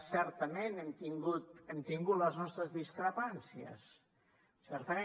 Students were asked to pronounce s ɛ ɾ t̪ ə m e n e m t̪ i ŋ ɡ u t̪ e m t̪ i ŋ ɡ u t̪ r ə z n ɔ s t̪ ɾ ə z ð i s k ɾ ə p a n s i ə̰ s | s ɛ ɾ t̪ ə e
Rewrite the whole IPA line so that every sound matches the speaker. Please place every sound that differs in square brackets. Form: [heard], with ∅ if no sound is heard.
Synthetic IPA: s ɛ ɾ t̪ ə m e n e m t̪ i ŋ ɡ u t̪ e m t̪ i ŋ ɡ u t̪ [l] ə z n ɔ s t̪ ɾ ə z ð i s k ɾ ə p a n s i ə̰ s | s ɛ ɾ t̪ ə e